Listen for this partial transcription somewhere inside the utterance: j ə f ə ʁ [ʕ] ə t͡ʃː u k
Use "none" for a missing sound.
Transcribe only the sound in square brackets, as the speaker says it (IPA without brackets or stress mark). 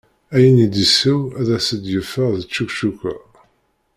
ð